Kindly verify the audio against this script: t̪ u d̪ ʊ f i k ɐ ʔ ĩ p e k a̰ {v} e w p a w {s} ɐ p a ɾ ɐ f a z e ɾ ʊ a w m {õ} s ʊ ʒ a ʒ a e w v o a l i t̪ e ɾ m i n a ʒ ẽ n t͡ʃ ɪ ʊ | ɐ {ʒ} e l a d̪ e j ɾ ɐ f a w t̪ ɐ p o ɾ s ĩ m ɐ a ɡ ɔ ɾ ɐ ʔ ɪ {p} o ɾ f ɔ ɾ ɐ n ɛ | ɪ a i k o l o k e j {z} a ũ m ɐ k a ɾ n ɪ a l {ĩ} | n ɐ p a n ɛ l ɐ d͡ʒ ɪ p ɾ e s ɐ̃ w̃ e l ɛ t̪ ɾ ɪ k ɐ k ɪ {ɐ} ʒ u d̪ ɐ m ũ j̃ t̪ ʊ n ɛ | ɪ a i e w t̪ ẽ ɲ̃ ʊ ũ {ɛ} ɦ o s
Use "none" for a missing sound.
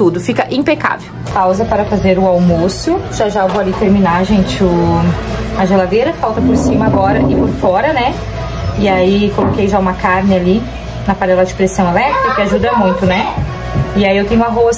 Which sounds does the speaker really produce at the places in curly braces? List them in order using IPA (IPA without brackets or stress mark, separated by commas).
v, z, o, ʒ, p, ʒ, i, a, a